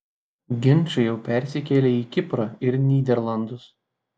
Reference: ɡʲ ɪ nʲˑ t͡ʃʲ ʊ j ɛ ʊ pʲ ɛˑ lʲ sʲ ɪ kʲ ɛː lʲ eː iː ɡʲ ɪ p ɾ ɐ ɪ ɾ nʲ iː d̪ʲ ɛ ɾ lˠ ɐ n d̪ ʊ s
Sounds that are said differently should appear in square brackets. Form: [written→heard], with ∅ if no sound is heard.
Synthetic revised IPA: ɡʲ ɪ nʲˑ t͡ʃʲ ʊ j ɛ ʊ pʲ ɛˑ [lʲ→ɾʲ] sʲ ɪ kʲ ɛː lʲ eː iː [ɡʲ→kʲ] ɪ p ɾ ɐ ɪ ɾ nʲ iː d̪ʲ ɛ ɾ lˠ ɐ n d̪ ʊ s

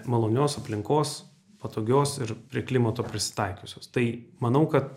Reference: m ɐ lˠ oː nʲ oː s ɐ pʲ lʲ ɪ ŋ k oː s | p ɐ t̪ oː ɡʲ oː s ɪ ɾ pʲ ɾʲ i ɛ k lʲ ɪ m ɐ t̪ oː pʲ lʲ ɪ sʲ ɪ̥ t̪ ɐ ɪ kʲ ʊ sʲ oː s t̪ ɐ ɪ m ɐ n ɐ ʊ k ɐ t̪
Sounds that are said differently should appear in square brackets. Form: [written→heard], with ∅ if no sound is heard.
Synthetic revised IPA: m ɐ lˠ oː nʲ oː s ɐ pʲ lʲ ɪ ŋ k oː s | p ɐ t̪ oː ɡʲ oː s ɪ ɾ pʲ ɾʲ i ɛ k lʲ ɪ m ɐ t̪ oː pʲ [lʲ→ɾʲ] ɪ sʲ ɪ̥ t̪ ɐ ɪ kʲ ʊ sʲ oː s t̪ ɐ ɪ m ɐ n ɐ ʊ k ɐ t̪

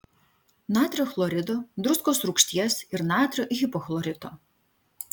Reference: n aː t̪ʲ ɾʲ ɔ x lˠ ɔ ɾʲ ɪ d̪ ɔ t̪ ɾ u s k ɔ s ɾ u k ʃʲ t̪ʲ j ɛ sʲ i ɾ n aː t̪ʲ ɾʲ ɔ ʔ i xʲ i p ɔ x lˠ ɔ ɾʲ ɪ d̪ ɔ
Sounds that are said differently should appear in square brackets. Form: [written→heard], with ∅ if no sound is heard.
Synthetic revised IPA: n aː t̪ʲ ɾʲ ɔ x lˠ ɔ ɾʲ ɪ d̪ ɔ [t̪→d̪] ɾ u s k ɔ s ɾ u k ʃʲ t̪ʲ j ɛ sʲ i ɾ n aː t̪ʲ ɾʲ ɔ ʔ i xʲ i p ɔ x lˠ ɔ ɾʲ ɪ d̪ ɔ

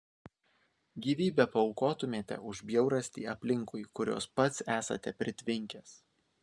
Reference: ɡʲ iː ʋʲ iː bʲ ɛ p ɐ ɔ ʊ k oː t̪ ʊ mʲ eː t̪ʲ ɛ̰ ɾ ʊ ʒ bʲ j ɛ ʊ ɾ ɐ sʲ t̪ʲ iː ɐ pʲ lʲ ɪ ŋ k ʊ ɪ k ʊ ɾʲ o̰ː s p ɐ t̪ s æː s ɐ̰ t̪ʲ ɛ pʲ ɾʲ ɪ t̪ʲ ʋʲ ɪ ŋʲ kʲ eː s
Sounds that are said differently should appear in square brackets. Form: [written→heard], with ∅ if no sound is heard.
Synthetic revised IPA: ɡʲ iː ʋʲ iː bʲ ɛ p ɐ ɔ ʊ k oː t̪ ʊ mʲ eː t̪ʲ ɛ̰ [ɾ→∅] ʊ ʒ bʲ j ɛ ʊ ɾ ɐ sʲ t̪ʲ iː ɐ pʲ lʲ ɪ ŋ k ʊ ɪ k ʊ ɾʲ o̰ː s p ɐ t̪ s æː s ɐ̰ t̪ʲ ɛ pʲ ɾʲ ɪ t̪ʲ ʋʲ ɪ ŋʲ kʲ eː s

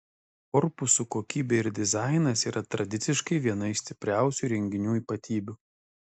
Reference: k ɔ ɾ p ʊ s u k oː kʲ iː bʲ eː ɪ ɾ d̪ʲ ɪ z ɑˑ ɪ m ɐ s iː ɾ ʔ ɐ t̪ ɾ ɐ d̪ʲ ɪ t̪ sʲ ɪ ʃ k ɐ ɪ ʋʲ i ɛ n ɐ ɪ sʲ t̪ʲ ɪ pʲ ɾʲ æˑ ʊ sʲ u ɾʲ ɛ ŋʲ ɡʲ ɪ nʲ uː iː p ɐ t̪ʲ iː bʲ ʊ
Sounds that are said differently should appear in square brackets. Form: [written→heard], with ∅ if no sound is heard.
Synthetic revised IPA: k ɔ ɾ p ʊ s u k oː kʲ iː bʲ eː ɪ ɾ d̪ʲ ɪ z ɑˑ ɪ [m→n] ɐ s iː ɾ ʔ ɐ t̪ ɾ ɐ d̪ʲ ɪ t̪ sʲ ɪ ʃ k ɐ ɪ ʋʲ i ɛ n ɐ ɪ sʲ t̪ʲ ɪ pʲ ɾʲ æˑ ʊ sʲ u ɾʲ ɛ ŋʲ ɡʲ ɪ nʲ uː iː p ɐ t̪ʲ iː bʲ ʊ

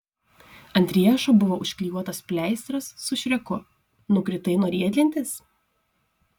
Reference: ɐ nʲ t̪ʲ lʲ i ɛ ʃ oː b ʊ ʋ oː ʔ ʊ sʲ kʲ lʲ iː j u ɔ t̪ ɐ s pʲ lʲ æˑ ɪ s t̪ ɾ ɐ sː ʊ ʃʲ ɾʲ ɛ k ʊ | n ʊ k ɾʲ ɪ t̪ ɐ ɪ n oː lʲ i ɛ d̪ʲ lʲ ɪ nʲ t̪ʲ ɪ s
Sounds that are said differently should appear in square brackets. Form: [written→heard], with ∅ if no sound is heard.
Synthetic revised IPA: ɐ nʲ t̪ʲ [lʲ→ɾʲ] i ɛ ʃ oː b ʊ ʋ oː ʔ ʊ [sʲ→ʃʲ] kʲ lʲ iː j u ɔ t̪ ɐ s pʲ lʲ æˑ ɪ s t̪ ɾ ɐ sː ʊ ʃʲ ɾʲ ɛ k ʊ | n ʊ k ɾʲ ɪ t̪ ɐ ɪ n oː [lʲ→ɾʲ] i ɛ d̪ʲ lʲ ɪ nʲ t̪ʲ ɪ s

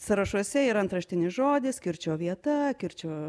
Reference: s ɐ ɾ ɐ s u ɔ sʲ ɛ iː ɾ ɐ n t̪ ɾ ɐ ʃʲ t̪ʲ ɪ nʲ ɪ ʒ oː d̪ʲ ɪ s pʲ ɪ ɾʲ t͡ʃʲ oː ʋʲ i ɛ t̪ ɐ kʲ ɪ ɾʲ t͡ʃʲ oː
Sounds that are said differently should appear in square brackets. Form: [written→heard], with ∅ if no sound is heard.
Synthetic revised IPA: s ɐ ɾ ɐ [s→ʃ] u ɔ sʲ ɛ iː ɾ ɐ n t̪ ɾ ɐ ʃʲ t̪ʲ ɪ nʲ ɪ ʒ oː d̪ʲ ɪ s [pʲ→kʲ] ɪ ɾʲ t͡ʃʲ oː ʋʲ i ɛ t̪ ɐ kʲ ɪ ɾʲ t͡ʃʲ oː

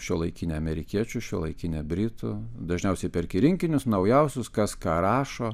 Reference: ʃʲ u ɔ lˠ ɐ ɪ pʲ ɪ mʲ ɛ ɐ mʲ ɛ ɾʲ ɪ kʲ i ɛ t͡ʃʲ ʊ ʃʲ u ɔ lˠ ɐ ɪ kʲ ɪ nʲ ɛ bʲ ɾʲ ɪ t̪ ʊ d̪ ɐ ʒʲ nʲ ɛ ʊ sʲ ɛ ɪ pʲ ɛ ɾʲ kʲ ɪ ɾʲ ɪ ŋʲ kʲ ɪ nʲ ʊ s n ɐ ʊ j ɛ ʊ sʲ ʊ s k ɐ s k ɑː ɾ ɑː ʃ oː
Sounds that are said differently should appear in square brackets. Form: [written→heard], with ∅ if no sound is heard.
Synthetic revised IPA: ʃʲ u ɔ lˠ ɐ ɪ [pʲ→kʲ] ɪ [mʲ→nʲ] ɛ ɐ mʲ ɛ ɾʲ ɪ kʲ i ɛ t͡ʃʲ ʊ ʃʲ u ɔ lˠ ɐ ɪ kʲ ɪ nʲ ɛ bʲ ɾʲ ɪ t̪ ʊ d̪ ɐ ʒʲ nʲ ɛ ʊ sʲ ɛ ɪ pʲ ɛ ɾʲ kʲ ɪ ɾʲ ɪ ŋʲ kʲ ɪ nʲ ʊ s n ɐ ʊ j ɛ ʊ sʲ ʊ s k ɐ s k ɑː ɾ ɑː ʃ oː

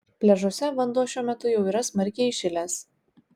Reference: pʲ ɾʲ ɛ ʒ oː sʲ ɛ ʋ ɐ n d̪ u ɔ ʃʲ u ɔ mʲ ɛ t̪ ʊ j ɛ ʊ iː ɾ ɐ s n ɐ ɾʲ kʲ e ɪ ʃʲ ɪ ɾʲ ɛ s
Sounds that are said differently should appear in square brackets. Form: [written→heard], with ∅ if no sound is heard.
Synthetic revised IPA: pʲ [ɾʲ→lʲ] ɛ ʒ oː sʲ ɛ ʋ ɐ n d̪ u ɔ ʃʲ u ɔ mʲ ɛ t̪ ʊ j ɛ ʊ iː ɾ ɐ s [n→m] ɐ ɾʲ kʲ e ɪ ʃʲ ɪ [ɾʲ→lʲ] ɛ s

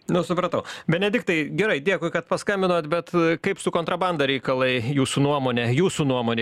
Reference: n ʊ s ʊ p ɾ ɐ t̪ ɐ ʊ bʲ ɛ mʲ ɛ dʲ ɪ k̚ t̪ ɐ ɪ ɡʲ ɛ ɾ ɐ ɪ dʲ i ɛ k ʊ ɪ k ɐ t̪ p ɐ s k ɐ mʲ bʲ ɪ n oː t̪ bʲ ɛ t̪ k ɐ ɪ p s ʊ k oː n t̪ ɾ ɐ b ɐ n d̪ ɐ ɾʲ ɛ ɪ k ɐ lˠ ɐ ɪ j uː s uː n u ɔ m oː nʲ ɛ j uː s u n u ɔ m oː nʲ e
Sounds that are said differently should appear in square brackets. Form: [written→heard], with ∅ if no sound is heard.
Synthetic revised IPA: n ʊ s ʊ p ɾ ɐ t̪ ɐ ʊ bʲ ɛ [mʲ→nʲ] ɛ dʲ ɪ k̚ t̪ ɐ ɪ ɡʲ ɛ ɾ ɐ ɪ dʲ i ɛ k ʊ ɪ k ɐ t̪ p ɐ s k ɐ mʲ bʲ ɪ n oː t̪ bʲ ɛ t̪ k ɐ ɪ p s ʊ k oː n t̪ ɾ ɐ b ɐ n d̪ ɐ ɾʲ ɛ ɪ k ɐ lˠ ɐ ɪ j uː s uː n u ɔ m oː nʲ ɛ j uː s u n u ɔ m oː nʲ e

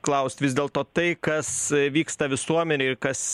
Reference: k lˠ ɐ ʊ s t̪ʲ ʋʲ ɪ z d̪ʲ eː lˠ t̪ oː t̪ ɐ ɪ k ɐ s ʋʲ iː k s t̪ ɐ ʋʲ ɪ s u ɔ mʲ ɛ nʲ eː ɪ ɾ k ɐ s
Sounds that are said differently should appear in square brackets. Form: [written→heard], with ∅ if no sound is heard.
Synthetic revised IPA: k lˠ ɐ ʊ s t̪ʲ ʋʲ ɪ z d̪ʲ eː lˠ t̪ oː t̪ ɐ ɪ k ɐ s ʋʲ iː k s t̪ ɐ ʋʲ ɪ s u ɔ mʲ ɛ nʲ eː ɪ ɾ k ɐ s

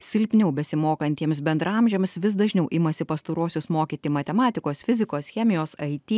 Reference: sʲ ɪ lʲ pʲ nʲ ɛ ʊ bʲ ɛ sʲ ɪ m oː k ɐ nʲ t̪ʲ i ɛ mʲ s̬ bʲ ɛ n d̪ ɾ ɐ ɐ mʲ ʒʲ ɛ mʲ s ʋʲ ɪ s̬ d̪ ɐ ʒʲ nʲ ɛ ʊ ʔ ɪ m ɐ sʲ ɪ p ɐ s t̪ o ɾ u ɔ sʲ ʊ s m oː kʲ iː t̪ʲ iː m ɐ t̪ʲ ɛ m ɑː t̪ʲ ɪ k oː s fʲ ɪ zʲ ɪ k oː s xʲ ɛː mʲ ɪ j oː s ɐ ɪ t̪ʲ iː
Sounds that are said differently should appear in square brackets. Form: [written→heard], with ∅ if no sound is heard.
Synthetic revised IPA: sʲ ɪ lʲ pʲ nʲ ɛ ʊ bʲ ɛ sʲ ɪ m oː k ɐ nʲ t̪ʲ i ɛ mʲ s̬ bʲ ɛ n d̪ ɾ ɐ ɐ mʲ ʒʲ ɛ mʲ s ʋʲ ɪ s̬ d̪ ɐ ʒʲ nʲ ɛ ʊ ʔ ɪ m ɐ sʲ ɪ p ɐ s t̪ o ɾ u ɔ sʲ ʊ s m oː kʲ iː t̪ʲ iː m ɐ t̪ʲ ɛ m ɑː t̪ʲ ɪ k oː s fʲ ɪ zʲ ɪ k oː s xʲ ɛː mʲ ɪ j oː s ɐ ɪ t̪ʲ iː

